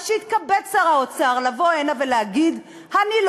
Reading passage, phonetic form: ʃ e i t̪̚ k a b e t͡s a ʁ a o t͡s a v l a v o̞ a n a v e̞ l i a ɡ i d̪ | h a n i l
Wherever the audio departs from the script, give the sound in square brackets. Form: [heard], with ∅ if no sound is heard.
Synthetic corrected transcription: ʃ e i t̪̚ k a b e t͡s a ʁ a o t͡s a [ʁ] l a v o̞ [e] n a v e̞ l [e] a ɡ i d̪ | h a n i l